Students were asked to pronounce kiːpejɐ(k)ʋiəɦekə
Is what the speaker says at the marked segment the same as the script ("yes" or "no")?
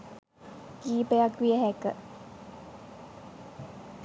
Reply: yes